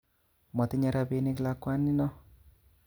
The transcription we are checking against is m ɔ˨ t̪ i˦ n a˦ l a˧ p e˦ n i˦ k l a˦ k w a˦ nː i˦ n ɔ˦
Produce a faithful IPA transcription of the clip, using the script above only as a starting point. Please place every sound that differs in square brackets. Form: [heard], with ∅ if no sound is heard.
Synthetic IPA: m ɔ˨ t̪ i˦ [ɲ] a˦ [ɾ] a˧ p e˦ n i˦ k l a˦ k w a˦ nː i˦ n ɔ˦